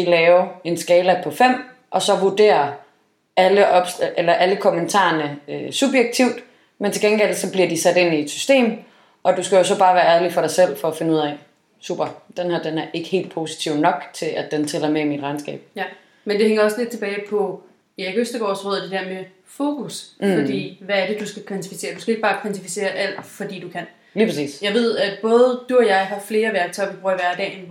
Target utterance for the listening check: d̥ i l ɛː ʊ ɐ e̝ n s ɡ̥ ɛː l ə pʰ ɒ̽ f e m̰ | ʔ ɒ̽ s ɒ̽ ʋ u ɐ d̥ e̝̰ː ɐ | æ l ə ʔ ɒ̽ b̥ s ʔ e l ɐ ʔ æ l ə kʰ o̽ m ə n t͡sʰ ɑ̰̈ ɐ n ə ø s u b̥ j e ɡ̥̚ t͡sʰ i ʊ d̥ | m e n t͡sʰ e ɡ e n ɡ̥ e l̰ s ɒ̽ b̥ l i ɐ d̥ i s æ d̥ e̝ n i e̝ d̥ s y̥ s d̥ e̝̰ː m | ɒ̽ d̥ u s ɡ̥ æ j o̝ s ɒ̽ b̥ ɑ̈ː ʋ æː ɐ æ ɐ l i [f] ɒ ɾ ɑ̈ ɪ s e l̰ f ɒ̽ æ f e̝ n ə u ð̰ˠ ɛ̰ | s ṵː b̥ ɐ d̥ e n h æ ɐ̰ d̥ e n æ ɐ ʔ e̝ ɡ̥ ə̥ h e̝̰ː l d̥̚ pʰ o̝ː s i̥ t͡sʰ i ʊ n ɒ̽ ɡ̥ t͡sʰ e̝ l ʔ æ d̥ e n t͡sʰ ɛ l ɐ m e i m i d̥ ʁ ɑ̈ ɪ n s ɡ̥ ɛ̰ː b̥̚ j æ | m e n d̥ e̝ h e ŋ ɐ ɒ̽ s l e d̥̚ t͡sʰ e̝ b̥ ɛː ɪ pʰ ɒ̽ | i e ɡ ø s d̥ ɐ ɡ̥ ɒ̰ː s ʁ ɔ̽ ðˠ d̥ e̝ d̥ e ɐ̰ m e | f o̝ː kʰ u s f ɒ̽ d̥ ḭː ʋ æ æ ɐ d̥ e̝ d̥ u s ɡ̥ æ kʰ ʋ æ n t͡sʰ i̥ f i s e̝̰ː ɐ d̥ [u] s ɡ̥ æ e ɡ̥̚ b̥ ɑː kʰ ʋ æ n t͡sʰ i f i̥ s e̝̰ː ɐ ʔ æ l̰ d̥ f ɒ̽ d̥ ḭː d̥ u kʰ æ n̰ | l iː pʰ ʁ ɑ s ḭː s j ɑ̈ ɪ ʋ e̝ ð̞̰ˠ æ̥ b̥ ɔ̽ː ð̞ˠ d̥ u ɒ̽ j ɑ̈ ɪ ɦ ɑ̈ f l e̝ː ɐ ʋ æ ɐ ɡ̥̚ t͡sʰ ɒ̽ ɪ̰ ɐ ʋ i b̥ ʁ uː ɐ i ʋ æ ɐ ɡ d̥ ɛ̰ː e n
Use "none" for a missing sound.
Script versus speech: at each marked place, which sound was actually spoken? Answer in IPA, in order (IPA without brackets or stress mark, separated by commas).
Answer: f, u